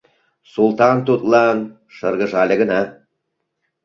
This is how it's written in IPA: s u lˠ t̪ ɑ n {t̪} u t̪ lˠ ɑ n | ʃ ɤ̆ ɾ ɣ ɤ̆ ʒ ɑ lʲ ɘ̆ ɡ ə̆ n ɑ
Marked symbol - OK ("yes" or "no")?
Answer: yes